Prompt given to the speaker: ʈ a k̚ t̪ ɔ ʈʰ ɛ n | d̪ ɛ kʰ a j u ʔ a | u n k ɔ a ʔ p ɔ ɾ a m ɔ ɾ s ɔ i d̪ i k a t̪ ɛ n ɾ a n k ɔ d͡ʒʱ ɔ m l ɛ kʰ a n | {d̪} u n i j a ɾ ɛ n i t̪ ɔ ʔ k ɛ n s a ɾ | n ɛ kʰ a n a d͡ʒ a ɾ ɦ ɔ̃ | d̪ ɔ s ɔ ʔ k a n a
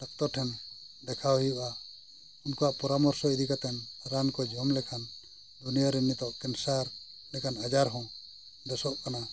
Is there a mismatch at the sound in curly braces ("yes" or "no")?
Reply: no